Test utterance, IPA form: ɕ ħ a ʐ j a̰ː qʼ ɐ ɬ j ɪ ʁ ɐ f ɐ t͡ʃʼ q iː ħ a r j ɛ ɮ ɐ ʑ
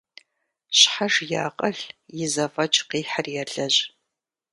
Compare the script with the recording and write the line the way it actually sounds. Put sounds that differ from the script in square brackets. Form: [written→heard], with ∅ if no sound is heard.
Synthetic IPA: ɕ ħ a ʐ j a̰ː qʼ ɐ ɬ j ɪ [ʁ→z] ɐ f ɐ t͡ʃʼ q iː ħ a r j ɛ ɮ ɐ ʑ

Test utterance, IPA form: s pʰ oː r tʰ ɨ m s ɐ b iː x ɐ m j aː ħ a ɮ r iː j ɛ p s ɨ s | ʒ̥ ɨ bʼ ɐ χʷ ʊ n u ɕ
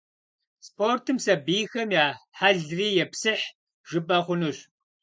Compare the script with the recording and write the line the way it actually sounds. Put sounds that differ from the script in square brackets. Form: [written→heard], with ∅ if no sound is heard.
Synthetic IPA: s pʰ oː r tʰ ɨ m s ɐ b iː x ɐ m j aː ħ a ɮ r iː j ɛ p s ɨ [s→ħ] | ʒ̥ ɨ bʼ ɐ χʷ ʊ n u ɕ

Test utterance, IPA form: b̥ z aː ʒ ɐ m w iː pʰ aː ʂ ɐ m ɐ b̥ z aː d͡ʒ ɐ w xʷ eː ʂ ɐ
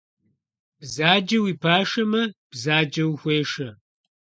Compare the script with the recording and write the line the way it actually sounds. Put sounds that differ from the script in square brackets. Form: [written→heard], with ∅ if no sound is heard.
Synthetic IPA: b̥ z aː [ʒ→d͡ʒ] ɐ [m→∅] w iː pʰ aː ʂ ɐ m ɐ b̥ z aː d͡ʒ ɐ w xʷ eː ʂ ɐ

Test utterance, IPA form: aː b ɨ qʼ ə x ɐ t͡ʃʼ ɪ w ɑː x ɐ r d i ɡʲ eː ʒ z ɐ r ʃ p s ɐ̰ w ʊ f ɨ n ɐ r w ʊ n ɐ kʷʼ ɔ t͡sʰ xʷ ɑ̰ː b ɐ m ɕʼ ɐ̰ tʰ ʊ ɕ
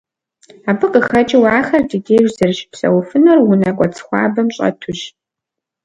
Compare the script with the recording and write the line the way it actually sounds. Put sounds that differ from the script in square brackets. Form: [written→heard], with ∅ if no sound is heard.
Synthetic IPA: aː b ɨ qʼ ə x ɐ t͡ʃʼ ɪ w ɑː x ɐ r d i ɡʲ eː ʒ z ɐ r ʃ p s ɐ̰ w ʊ f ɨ n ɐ r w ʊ n ɐ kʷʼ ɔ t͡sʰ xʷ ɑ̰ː b ɐ m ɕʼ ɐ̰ tʰ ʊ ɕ

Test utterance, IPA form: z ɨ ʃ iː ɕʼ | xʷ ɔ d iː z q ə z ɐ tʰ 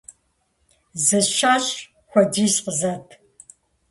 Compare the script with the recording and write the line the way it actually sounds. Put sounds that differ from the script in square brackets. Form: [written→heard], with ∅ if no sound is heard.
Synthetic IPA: z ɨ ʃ [iː→aː] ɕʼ | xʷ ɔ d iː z q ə z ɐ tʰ

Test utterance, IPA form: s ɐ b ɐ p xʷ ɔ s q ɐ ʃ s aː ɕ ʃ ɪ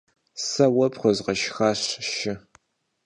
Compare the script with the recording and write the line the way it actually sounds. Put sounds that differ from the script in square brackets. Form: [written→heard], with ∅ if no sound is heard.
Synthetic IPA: s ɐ [b→w] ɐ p [xʷ→χʷ] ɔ [s→z] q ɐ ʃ [s→x] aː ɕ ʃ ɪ

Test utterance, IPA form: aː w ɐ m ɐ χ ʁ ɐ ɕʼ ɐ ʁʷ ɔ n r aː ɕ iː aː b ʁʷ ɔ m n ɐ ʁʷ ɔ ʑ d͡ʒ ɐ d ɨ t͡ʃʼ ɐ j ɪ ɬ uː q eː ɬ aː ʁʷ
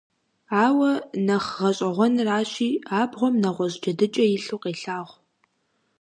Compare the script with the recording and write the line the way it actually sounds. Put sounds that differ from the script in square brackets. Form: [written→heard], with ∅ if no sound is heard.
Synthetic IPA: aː w ɐ [m→n] ɐ χ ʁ ɐ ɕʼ ɐ ʁʷ ɔ n r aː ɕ iː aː b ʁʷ ɔ m n ɐ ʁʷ ɔ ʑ d͡ʒ ɐ d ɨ t͡ʃʼ ɐ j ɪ ɬ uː q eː ɬ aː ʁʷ

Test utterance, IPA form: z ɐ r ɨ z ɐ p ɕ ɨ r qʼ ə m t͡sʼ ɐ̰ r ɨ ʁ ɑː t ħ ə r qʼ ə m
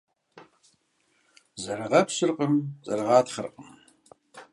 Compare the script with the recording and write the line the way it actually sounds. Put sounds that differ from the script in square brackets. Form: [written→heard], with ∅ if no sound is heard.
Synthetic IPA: z ɐ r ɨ [z→ʁ] ɐ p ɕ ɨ r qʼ ə m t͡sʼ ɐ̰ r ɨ ʁ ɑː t [ħ→χ] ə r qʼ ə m

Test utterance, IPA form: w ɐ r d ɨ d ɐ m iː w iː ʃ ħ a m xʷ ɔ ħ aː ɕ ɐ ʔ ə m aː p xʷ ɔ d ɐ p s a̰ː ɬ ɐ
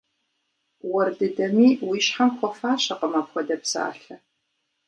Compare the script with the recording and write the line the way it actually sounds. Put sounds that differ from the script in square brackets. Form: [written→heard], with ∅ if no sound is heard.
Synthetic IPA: w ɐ r d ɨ d ɐ m iː w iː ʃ ħ a m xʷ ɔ [ħ→f] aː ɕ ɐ [ʔ→q] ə m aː p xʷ ɔ d ɐ p s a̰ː ɬ ɐ

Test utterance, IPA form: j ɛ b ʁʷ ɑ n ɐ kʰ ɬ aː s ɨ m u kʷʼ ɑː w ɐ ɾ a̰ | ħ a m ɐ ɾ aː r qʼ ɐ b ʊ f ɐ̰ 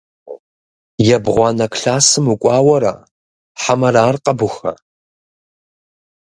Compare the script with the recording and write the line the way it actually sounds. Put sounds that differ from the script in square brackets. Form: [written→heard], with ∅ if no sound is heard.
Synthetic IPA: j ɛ b ʁʷ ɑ n ɐ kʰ ɬ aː s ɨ m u kʷʼ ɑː w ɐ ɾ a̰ | ħ a m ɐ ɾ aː r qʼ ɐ b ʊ [f→x] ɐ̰

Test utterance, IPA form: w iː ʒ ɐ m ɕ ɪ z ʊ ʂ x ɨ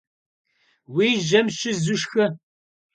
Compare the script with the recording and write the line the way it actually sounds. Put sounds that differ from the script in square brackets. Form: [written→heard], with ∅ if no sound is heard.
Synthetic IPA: w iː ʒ ɐ m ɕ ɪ z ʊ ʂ x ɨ

